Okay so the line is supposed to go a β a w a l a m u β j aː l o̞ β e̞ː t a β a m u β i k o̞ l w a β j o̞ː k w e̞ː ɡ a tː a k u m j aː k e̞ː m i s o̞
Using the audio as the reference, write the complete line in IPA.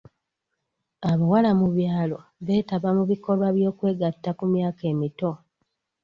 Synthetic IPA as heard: a β a w a l a m u β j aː l o̞ β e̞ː t a β a m u β i k o̞ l w a β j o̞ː k w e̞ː ɡ a tː a k u m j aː k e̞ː m i t o̞